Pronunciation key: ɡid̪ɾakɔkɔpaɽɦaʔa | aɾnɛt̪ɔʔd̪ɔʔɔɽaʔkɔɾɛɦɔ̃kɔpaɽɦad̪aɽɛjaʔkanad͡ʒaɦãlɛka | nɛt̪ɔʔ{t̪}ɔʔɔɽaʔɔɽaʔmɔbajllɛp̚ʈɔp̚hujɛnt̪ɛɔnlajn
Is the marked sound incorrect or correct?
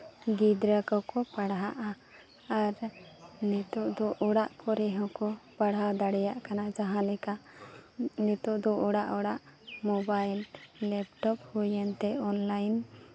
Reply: incorrect: d̪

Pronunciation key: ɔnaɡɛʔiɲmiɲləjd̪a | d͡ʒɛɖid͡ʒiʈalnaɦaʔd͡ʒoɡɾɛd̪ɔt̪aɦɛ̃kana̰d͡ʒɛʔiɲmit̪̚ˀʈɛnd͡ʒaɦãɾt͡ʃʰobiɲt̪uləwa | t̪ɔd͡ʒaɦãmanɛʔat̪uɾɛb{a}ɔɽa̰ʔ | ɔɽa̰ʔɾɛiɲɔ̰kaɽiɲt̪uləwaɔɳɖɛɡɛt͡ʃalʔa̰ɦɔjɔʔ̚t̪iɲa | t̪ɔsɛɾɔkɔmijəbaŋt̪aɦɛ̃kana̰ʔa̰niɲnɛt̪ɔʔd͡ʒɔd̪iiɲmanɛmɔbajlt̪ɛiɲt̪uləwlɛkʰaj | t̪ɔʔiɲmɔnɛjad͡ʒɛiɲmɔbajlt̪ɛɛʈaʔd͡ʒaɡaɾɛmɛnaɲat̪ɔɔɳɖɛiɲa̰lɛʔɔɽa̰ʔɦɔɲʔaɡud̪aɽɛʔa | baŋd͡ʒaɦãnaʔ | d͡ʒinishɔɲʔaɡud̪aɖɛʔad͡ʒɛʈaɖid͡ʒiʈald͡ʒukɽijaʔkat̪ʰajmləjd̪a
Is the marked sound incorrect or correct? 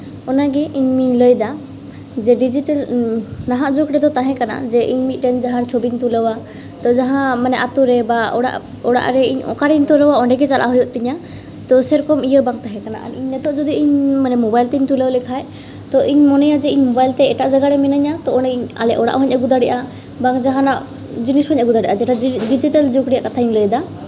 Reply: correct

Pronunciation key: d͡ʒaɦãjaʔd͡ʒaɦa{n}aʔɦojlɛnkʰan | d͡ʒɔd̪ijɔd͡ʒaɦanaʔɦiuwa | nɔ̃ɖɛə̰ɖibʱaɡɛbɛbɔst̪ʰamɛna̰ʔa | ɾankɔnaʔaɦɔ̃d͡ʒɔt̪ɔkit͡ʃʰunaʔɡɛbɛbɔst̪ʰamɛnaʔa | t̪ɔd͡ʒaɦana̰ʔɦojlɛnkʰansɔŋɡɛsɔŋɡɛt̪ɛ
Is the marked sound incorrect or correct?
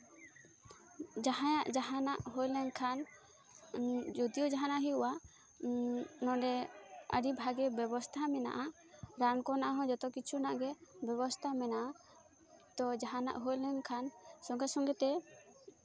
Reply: correct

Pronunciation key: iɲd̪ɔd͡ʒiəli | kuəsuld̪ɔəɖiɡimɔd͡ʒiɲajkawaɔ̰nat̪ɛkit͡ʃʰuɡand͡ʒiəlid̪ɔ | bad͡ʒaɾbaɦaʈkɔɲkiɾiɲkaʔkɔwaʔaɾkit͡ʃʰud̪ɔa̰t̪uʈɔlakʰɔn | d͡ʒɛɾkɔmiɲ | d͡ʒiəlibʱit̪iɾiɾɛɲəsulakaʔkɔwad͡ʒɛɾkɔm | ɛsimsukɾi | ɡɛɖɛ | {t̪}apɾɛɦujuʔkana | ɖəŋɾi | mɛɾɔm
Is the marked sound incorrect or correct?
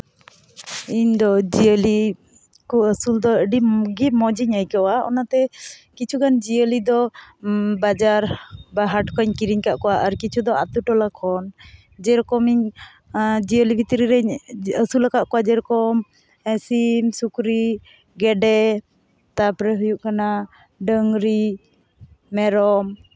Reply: correct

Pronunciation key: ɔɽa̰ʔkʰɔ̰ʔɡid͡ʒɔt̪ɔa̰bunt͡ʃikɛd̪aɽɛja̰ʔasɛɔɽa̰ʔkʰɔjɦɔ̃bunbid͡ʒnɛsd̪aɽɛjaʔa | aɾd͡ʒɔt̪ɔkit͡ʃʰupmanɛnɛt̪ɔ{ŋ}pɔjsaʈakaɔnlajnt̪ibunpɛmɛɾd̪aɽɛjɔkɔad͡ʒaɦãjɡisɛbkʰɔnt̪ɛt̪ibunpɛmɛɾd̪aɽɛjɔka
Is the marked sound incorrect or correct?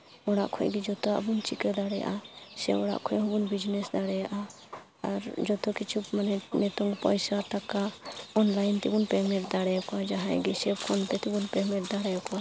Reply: correct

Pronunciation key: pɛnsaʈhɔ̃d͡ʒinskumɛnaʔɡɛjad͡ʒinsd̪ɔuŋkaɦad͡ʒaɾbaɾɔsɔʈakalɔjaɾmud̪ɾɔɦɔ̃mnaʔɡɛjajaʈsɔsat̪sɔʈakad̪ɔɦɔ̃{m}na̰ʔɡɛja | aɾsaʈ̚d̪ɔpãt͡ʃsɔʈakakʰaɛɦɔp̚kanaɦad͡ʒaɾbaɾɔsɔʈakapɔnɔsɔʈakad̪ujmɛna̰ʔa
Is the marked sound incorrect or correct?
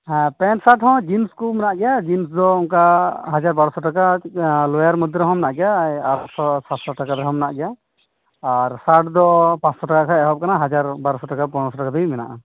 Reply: correct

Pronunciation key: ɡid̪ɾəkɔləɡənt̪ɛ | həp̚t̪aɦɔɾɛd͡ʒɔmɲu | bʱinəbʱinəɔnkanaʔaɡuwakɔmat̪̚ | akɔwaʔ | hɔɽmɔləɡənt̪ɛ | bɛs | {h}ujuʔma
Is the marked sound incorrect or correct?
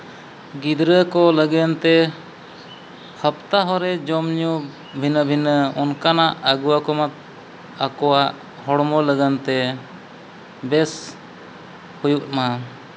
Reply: correct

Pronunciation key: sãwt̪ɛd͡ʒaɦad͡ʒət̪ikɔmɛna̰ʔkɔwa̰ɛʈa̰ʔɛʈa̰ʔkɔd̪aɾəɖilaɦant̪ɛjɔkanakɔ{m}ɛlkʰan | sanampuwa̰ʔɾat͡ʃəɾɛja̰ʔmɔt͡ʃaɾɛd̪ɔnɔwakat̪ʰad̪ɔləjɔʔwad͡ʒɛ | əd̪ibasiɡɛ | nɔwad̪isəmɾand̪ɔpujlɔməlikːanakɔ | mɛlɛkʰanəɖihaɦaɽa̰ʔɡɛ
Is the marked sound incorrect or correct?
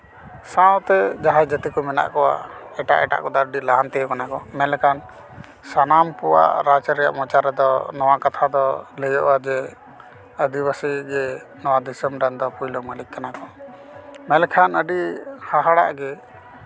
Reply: correct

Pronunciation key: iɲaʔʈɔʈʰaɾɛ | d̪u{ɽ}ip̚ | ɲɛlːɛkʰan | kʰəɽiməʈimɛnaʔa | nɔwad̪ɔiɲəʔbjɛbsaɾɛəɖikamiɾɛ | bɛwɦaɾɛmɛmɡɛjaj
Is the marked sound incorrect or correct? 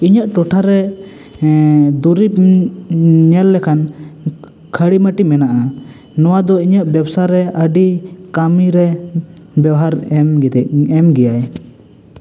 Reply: incorrect: ɾ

